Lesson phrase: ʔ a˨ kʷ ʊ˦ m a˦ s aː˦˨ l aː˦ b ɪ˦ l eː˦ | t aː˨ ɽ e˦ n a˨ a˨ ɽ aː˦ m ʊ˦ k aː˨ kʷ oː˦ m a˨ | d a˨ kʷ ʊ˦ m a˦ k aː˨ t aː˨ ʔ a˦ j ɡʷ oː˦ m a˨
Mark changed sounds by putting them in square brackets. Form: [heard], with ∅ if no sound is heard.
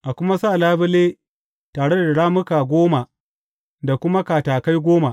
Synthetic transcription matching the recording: ʔ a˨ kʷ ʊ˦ m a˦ s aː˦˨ l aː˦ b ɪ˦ l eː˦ | t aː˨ ɽ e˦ [d] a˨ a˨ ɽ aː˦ m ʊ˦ k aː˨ [ɡʷ] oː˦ m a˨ | d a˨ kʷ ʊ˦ m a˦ k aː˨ t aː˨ [k] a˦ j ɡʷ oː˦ m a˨